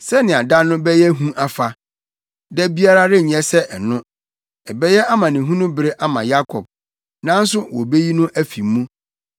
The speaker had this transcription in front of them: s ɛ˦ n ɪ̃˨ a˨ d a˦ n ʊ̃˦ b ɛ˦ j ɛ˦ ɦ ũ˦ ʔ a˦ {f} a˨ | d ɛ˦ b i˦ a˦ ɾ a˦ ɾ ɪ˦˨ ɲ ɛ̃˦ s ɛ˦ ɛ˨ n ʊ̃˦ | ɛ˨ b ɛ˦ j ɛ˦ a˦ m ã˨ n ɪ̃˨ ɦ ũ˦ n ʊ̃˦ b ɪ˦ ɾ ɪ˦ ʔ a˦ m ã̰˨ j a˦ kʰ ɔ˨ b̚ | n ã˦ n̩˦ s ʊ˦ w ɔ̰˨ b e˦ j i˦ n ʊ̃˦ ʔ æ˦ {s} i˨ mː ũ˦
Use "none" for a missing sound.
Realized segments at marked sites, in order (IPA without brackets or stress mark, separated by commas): f, f